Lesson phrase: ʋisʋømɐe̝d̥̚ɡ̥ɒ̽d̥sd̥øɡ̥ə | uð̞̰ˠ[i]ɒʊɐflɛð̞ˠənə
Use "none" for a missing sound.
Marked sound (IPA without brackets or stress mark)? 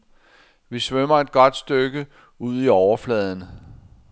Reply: i